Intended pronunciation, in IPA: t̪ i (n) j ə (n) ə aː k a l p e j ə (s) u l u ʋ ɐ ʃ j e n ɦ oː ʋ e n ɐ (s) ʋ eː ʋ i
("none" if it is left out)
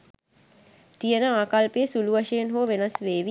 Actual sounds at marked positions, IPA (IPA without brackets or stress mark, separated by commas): none, n, s, s